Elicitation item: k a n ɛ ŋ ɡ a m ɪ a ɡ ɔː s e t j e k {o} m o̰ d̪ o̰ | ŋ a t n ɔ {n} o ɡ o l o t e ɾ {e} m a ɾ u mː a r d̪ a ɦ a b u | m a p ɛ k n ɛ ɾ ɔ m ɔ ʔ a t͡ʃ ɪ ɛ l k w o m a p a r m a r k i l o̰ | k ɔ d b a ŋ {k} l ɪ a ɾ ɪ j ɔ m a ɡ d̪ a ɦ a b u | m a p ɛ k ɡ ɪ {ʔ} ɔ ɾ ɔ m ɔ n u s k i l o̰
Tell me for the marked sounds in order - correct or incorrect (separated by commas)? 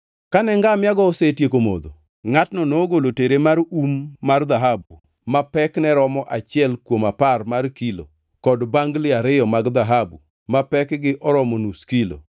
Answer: correct, correct, correct, incorrect, correct